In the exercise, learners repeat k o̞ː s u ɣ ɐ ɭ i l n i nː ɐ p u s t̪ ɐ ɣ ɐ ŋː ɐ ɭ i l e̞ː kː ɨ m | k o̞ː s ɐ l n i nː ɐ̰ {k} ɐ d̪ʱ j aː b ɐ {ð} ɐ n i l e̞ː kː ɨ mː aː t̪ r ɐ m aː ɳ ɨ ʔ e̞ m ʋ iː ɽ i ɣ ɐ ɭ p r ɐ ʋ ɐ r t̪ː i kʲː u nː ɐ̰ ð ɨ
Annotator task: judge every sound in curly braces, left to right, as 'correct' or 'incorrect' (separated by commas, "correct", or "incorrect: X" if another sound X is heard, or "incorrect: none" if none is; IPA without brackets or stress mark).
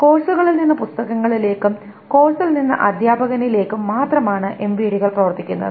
incorrect: ʔ, incorrect: ɣ